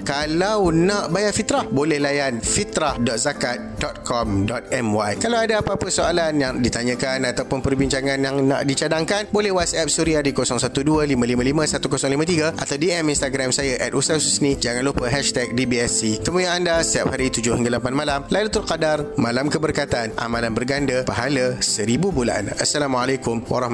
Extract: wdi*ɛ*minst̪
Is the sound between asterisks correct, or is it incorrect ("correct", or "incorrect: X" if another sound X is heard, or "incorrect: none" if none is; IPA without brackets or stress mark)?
correct